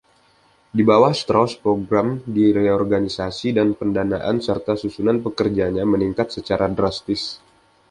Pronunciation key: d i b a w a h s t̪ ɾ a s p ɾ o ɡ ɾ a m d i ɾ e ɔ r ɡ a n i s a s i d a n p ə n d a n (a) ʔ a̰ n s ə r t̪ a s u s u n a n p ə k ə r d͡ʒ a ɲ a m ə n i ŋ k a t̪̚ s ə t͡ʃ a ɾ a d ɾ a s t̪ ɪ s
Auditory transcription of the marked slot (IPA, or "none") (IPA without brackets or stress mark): a